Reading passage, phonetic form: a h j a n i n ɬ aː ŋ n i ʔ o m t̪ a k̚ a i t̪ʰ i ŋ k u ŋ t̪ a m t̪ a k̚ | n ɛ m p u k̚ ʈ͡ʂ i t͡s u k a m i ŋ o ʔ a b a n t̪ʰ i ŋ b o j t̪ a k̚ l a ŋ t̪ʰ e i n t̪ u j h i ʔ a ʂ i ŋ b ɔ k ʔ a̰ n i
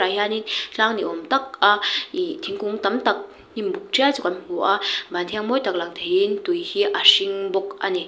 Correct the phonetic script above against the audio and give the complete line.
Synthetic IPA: a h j a n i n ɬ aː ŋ n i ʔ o m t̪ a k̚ a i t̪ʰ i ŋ k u ŋ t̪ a m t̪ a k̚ | n i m b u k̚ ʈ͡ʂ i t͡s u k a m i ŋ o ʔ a b a n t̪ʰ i ŋ m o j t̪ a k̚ l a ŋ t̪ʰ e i n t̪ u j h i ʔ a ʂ i ŋ b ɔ k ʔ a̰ n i